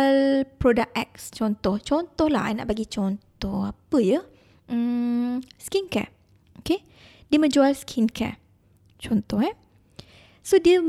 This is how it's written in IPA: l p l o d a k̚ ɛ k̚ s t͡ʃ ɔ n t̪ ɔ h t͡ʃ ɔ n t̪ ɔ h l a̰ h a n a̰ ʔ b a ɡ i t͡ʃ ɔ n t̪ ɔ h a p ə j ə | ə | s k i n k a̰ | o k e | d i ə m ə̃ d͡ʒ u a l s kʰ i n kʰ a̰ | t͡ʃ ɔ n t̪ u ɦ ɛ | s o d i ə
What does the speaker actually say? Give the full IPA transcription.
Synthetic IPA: l p ɾ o d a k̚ ɛ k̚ s t͡ʃ ɔ n t̪ ɔ h t͡ʃ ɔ n t̪ ɔ h l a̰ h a n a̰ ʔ b a ɡ i t͡ʃ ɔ n t̪ ɔ h a p ə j ə | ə | s k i n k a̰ | o k e | d i ə m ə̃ d͡ʒ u a l s kʰ i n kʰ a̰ | t͡ʃ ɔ n t̪ ɔ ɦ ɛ | s o d i ə